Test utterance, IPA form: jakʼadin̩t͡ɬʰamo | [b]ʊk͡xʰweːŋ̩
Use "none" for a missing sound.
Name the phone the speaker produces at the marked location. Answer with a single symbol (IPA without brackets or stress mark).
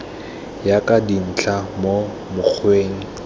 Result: m